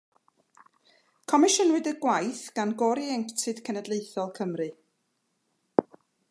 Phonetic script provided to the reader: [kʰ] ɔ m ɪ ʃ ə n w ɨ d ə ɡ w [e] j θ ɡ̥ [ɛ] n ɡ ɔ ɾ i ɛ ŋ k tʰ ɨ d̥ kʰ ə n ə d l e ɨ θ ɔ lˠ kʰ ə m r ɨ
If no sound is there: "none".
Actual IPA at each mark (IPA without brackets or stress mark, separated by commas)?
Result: kʰ, a, a